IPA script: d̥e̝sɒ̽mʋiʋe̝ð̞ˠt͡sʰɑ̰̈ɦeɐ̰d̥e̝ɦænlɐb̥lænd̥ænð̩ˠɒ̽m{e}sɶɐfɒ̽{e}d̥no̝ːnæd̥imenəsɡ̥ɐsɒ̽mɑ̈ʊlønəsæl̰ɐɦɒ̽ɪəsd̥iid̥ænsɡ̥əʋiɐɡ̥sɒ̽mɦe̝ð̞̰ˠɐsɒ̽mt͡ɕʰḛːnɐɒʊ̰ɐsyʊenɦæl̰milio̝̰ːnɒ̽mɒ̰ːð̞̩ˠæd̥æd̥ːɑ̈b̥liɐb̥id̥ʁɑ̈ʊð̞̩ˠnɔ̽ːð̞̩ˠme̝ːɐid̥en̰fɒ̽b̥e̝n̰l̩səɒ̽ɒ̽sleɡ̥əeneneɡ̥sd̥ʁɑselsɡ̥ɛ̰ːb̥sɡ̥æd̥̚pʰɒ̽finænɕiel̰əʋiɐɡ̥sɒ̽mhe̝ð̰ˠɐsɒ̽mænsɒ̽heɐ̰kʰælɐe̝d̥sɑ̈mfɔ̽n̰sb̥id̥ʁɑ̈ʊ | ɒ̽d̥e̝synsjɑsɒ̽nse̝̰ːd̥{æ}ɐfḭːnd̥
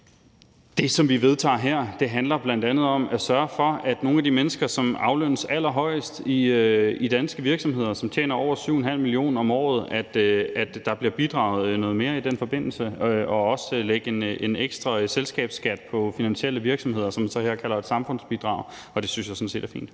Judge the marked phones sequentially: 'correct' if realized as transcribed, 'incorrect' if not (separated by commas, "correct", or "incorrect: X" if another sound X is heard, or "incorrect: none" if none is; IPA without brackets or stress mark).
incorrect: æ, incorrect: æ, correct